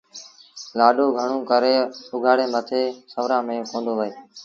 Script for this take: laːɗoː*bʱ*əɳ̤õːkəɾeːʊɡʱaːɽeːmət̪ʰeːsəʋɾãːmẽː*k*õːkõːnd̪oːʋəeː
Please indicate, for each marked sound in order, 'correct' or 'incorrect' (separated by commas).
incorrect, incorrect